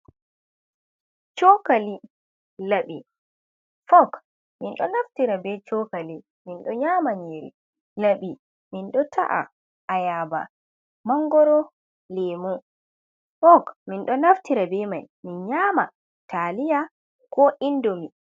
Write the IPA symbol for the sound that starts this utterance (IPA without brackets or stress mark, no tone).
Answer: t͡ʃ